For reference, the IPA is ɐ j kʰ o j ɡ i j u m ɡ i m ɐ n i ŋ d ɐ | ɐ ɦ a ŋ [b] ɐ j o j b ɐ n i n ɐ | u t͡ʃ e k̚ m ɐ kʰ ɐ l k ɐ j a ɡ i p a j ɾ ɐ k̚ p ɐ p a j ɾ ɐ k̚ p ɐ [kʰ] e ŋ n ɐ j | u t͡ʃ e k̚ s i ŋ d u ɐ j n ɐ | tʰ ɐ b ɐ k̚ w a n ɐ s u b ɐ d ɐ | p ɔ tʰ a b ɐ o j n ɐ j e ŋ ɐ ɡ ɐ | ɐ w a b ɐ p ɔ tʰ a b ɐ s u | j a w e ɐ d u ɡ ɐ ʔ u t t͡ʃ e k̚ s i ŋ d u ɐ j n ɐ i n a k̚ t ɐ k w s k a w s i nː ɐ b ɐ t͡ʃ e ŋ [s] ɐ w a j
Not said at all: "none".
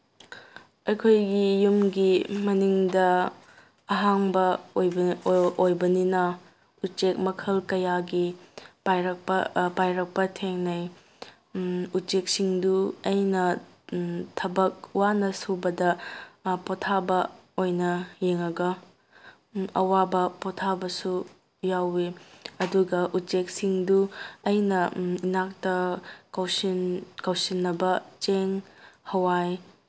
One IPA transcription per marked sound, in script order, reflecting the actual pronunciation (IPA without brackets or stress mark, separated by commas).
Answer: b, tʰ, h